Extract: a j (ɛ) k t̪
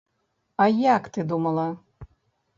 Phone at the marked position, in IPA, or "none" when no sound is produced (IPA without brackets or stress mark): a